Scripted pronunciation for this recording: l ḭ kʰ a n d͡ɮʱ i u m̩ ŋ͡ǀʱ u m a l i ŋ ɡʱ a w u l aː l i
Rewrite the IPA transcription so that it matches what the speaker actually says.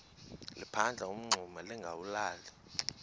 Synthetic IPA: l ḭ pʰ a n d͡ɮʱ a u m̩ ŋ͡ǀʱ u m a l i ŋ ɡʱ a w u l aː l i